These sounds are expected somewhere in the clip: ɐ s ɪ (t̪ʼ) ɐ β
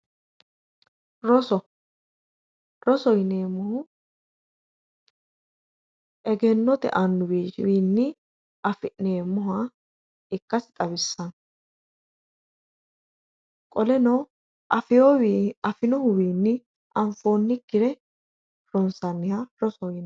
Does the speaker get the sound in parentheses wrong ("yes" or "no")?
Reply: no